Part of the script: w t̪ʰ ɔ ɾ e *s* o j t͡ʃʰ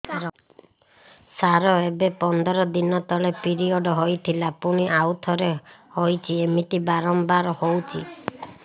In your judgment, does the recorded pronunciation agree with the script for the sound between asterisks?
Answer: no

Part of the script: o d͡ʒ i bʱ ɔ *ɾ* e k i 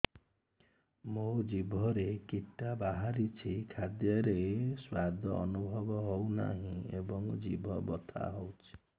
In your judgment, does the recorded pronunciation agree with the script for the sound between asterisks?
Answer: yes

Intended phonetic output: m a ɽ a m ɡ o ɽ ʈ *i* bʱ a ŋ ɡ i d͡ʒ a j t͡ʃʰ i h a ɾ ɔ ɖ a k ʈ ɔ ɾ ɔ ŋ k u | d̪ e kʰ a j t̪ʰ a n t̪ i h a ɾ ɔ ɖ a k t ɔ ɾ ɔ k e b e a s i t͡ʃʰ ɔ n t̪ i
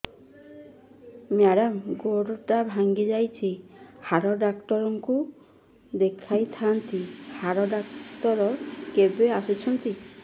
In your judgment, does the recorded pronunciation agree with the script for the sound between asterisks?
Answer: no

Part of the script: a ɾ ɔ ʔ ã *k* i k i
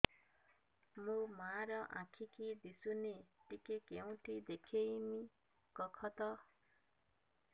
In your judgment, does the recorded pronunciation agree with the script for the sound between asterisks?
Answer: no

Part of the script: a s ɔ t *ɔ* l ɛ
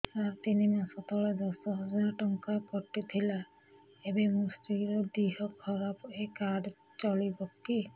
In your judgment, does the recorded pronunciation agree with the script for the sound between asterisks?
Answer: yes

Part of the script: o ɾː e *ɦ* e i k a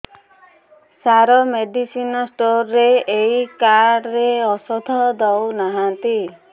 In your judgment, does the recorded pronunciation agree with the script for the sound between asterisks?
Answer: no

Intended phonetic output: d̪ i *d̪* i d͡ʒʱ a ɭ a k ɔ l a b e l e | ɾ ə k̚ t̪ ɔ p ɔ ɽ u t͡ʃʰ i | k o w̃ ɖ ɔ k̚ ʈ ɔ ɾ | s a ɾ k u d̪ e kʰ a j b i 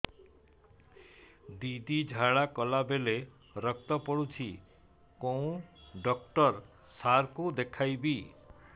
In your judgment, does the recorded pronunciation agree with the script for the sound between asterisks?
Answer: yes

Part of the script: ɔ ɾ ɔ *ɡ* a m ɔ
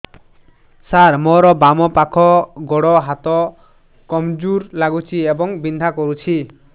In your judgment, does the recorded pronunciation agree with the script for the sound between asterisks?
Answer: no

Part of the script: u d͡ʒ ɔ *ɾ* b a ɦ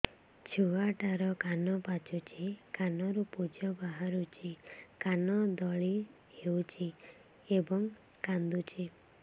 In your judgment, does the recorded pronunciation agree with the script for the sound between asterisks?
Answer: no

